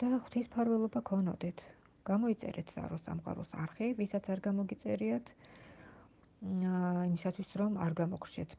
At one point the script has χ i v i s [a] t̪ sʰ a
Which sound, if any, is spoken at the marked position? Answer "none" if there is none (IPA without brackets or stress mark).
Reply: a